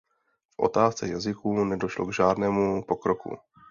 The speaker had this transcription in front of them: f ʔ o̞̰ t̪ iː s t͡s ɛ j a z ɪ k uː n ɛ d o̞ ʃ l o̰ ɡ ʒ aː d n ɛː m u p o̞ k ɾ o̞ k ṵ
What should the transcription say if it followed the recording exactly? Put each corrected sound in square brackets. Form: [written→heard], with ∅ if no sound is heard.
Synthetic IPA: f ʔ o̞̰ t̪ [iː→aː] s t͡s ɛ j a z ɪ k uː n ɛ d o̞ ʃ l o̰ ɡ ʒ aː d n ɛː m u p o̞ k ɾ o̞ k ṵ